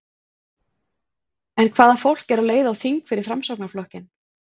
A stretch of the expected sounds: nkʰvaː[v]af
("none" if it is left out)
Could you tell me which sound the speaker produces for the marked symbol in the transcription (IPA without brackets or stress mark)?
ð